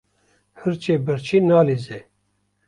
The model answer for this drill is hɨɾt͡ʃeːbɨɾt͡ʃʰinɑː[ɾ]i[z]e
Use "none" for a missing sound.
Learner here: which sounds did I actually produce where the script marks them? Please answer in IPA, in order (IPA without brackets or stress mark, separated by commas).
l, z